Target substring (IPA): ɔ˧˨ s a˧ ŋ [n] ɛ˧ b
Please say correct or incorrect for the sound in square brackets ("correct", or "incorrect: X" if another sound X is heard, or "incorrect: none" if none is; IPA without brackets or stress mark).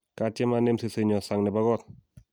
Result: correct